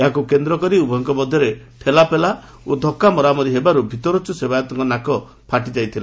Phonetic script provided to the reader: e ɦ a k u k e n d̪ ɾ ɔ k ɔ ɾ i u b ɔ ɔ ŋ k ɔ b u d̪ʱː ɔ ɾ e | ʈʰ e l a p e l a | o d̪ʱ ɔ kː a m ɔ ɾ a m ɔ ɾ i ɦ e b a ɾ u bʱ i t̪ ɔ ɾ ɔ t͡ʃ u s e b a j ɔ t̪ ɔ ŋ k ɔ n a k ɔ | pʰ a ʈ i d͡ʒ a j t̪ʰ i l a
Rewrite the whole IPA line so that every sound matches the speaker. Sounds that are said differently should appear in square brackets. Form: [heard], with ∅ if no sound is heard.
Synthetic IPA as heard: e ɦ a k u k e n d̪ ɾ ɔ k ɔ ɾ i u b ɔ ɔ ŋ k ɔ b [ɔ] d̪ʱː ɔ ɾ e | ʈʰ e l a p e l a | o d̪ʱ ɔ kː a m ɔ ɾ a m ɔ ɾ i ɦ e b a ɾ u bʱ i t̪ ɔ ɾ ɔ t͡ʃ u s e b a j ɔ t̪ ɔ ŋ k ɔ n a k ɔ | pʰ a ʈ i d͡ʒ a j t̪ʰ i l a